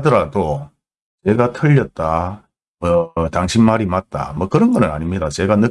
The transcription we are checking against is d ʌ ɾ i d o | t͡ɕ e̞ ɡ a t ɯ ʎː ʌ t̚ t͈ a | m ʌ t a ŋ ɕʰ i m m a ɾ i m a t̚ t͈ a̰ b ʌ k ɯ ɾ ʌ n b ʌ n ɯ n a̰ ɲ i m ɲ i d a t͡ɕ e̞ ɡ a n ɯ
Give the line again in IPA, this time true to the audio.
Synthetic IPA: d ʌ ɾ a d o | t͡ɕ e̞ ɡ a tʰ ɯ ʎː ʌ t̚ t͈ a | m ʌ t a ŋ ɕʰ i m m a ɾ i m a t̚ t͈ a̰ m ʌ k ɯ ɾ ʌ n ɡ ʌ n ɯ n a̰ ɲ i m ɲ i d a t͡ɕ e̞ ɡ a n ɯ

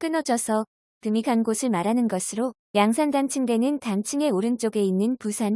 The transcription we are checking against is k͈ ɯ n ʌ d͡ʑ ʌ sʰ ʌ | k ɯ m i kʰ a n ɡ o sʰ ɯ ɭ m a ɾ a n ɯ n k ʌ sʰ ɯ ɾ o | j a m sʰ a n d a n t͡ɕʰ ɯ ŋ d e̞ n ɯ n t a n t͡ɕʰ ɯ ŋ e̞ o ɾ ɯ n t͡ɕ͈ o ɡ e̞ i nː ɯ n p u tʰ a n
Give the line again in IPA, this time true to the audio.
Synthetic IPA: k͈ ɯ n ʌ d͡ʑ ʌ sʰ ʌ | k ɯ m i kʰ a n ɡ o sʰ ɯ ɭ m a ɾ a n ɯ n ɡ ʌ sʰ ɯ ɾ o | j a ŋ sʰ a n d a n t͡ɕʰ ɯ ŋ d e̞ n ɯ n t a n t͡ɕʰ ɯ ŋ e̞ o ɾ ɯ n t͡ɕ͈ o ɡ e̞ i nː ɯ n p u sʰ a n

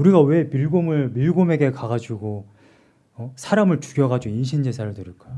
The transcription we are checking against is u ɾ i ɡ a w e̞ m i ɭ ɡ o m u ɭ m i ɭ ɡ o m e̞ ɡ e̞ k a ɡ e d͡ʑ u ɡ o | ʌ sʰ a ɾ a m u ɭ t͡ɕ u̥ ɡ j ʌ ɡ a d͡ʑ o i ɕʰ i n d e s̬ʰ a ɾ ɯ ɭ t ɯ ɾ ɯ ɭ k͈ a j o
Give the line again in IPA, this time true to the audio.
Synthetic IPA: u ɾ i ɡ a w e̞ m i ɭ ɡ o m ɯ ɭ m i ɭ ɡ o m e̞ ɡ e̞ k a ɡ a d͡ʑ u ɡ o | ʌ sʰ a ɾ a m ɯ ɭ t͡ɕ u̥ ɡ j ʌ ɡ a d͡ʑ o i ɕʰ i n d͡ʑ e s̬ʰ a ɾ ɯ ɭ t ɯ ɾ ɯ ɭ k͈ a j o

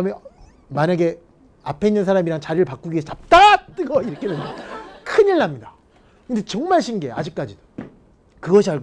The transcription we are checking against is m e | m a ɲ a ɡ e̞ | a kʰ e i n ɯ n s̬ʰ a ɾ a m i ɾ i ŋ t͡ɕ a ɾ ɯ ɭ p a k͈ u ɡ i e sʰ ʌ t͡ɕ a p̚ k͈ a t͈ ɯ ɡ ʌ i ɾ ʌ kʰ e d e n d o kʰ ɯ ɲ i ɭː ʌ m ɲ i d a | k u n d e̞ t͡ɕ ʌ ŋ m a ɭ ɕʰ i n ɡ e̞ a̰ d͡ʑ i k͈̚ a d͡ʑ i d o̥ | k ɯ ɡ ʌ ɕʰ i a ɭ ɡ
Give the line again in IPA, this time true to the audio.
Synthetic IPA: m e | m a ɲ a ɡ e̞ | a pʰ e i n ɯ n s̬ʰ a ɾ a m i ɾ a ŋ t͡ɕ a ɾ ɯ ɭ p a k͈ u ɡ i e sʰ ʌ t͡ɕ a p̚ t͈ a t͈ ɯ ɡ ʌ i ɾ ʌ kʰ e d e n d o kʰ ɯ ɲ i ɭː a m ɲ i d a | k ɯ n d e̞ t͡ɕ ʌ ŋ m a ɭ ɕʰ i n ɡ e̞ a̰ d͡ʑ i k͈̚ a d͡ʑ i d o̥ | k ɯ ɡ ʌ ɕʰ i a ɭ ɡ

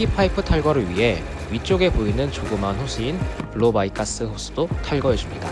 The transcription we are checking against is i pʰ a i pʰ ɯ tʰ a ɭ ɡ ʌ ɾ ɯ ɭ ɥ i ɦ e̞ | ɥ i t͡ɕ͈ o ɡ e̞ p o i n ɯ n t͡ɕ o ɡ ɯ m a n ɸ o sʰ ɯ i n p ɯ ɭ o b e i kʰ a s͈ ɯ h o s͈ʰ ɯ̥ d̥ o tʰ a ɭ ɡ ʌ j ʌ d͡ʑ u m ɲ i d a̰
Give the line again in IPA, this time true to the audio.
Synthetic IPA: i pʰ a i pʰ ɯ tʰ a ɭ ɡ ʌ ɾ ɯ ɭ ɥ i ɦ e̞ | ɥ i t͡ɕ͈ o ɡ e̞ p o i n ɯ n t͡ɕ o ɡ ɯ m a n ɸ o sʰ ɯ i n p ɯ ɭ o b a i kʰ a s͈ ɯ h o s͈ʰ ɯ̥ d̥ o tʰ a ɭ ɡ ʌ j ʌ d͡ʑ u m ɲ i d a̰

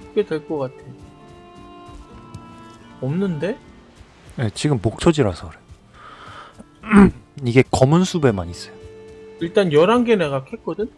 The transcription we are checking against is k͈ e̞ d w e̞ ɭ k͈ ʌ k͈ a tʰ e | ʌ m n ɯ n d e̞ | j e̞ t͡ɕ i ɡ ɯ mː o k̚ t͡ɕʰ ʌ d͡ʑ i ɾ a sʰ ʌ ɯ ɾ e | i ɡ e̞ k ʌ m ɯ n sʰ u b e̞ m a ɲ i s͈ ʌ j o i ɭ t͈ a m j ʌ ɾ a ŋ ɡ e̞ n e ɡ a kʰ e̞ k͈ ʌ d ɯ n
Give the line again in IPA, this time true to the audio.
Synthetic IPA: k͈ e̞ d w e̞ ɭ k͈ ʌ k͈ a tʰ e | ʌ m n ɯ n d e̞ | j e̞ t͡ɕ i ɡ ɯ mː o k̚ t͡ɕʰ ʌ d͡ʑ i ɾ a sʰ ʌ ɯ ɾ e | i ɡ e̞ k ʌ m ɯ n sʰ u b e̞ m a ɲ i s͈ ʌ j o i ɭ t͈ a n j ʌ ɾ a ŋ ɡ e̞ n e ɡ a kʰ e̞ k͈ ʌ d ɯ n

